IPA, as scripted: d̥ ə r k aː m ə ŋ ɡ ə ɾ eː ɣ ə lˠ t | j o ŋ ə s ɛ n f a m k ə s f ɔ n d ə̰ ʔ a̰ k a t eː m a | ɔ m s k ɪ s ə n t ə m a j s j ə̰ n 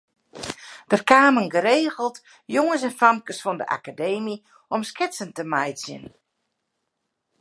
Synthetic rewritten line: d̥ ə r k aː m ə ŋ ɡ ə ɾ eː ɣ ə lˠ t | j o ŋ ə s ɛ n f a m k ə s f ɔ n d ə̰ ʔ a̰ k a d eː m i | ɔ m s k ɪ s ə n t ə m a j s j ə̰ n